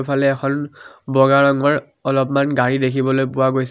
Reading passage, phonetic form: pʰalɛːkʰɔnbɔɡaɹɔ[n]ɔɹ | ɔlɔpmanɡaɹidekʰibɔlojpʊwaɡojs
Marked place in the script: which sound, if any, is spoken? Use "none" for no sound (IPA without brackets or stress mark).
ŋ